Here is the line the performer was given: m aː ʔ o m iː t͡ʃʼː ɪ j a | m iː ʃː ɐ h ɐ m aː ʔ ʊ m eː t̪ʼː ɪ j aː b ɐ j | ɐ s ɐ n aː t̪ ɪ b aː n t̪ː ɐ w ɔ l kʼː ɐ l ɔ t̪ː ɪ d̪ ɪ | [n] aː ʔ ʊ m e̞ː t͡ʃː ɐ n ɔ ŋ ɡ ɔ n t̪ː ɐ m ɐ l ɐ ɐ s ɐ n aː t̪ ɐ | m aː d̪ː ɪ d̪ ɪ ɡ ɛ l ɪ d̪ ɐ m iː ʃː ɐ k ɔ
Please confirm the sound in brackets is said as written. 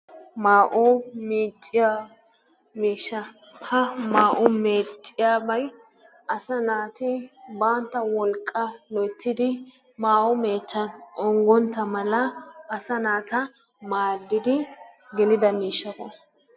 no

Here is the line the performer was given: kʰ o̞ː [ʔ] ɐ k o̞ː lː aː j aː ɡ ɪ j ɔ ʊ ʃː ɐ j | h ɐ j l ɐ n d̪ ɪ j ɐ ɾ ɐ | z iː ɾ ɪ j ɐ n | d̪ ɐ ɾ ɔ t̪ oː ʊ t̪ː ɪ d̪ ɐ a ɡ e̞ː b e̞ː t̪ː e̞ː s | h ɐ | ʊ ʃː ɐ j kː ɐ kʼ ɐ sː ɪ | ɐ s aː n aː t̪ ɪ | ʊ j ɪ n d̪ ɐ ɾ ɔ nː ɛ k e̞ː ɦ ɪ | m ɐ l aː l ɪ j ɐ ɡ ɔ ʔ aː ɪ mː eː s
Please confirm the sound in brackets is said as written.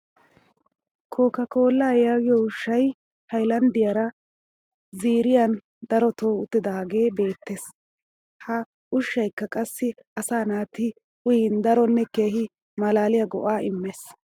no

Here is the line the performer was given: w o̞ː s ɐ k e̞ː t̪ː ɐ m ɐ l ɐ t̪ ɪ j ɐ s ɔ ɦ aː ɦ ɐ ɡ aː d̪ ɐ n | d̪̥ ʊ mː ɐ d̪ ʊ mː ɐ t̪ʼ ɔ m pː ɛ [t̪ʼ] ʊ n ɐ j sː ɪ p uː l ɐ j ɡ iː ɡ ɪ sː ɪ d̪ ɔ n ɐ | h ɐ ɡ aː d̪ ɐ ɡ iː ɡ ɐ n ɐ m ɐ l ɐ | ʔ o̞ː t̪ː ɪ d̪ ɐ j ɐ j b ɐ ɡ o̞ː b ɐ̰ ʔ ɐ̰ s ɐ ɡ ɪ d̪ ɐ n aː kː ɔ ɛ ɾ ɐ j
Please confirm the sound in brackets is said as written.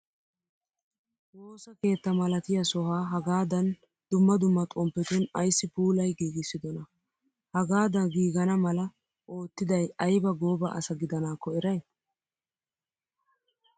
no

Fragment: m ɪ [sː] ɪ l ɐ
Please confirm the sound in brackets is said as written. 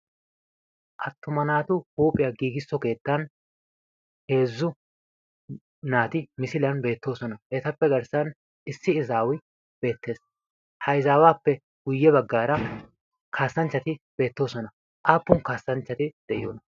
no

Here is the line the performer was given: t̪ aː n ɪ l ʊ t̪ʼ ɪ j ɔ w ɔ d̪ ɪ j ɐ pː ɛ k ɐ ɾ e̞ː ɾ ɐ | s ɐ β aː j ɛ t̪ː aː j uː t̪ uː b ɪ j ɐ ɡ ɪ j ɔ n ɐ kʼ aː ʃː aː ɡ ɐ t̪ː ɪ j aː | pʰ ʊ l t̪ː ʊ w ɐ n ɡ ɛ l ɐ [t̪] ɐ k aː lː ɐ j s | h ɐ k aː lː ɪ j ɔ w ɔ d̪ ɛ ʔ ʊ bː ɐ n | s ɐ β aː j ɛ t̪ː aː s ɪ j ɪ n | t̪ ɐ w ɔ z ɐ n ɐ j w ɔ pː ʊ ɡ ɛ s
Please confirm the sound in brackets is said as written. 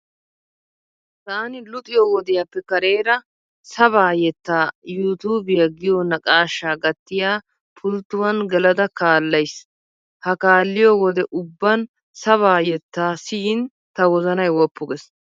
no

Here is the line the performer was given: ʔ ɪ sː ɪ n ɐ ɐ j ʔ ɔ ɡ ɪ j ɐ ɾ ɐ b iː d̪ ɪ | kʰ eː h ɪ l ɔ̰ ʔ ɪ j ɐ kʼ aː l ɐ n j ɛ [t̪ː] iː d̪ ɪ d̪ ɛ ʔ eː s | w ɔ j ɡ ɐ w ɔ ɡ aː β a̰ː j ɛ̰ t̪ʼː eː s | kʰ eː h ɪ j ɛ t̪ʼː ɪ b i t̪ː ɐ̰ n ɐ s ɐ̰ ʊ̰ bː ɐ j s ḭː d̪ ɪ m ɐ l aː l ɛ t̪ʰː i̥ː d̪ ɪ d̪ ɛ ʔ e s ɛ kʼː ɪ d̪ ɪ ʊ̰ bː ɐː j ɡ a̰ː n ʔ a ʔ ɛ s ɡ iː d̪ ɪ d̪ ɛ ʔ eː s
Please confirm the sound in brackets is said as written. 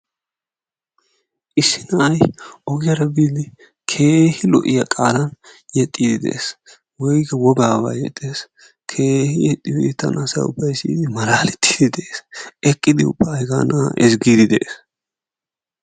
no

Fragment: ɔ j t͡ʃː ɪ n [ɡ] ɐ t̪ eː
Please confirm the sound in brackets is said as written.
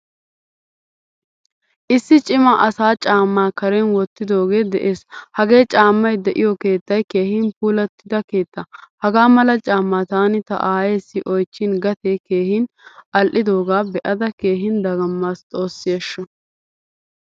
yes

